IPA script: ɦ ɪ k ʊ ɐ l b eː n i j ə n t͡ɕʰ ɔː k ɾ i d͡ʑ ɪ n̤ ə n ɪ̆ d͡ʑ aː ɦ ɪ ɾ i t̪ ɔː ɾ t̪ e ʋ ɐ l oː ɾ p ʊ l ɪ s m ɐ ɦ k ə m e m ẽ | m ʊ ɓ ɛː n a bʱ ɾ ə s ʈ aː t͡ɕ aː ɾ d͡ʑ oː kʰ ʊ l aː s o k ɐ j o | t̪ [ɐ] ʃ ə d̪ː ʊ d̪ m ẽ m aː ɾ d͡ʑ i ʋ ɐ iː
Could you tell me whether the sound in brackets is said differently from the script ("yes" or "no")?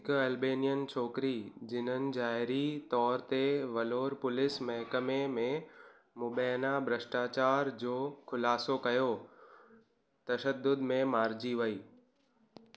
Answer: no